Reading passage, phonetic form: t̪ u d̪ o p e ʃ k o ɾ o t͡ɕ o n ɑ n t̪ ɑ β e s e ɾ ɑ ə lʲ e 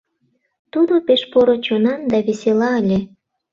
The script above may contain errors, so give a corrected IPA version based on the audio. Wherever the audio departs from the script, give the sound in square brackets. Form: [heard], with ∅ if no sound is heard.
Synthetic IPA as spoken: t̪ u d̪ o p e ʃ [p] o ɾ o t͡ɕ o n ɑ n [d̪] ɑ β e s e [l] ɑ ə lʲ e